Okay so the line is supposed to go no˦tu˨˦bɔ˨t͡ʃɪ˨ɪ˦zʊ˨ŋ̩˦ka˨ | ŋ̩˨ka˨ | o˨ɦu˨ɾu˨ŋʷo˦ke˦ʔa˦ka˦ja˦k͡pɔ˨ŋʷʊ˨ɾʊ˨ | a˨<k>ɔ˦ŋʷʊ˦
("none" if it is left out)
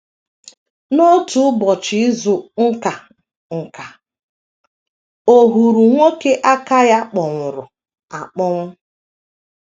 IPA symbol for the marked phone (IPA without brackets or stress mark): k͡p